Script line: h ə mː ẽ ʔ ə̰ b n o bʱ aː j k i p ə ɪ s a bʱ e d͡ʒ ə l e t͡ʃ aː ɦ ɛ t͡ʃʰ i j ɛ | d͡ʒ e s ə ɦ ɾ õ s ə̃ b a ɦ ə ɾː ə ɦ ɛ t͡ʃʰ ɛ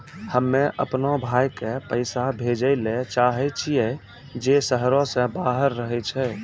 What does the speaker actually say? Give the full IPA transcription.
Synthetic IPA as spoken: h ə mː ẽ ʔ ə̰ p n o bʱ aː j k e p ə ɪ s a bʱ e d͡ʒ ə l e t͡ʃ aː ɦ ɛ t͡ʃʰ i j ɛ | d͡ʒ e s ə ɦ ɾ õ s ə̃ b a ɦ ə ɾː ə ɦ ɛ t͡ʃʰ ɛ

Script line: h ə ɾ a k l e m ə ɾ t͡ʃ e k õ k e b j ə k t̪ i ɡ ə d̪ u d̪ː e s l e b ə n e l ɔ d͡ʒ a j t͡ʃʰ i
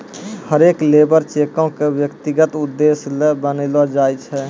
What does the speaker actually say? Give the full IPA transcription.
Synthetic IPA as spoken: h ə ɾ e k l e b ə ɾ t͡ʃ e k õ k e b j ə k t̪ i ɡ ə t̪ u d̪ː e s l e b ə n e l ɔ d͡ʒ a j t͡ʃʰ ɛ

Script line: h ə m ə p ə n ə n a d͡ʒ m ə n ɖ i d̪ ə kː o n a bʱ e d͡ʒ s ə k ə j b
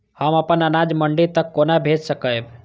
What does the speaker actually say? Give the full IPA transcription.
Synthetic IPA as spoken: h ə m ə p ə n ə n a d͡ʒ m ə ɳ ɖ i t̪ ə kː o n a bʱ e d͡ʒ s ə k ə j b

